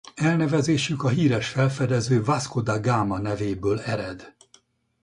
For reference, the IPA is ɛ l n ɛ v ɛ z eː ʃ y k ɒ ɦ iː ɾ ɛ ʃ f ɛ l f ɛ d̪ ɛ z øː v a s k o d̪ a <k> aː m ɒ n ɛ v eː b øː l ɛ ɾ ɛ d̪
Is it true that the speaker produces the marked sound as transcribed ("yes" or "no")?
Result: no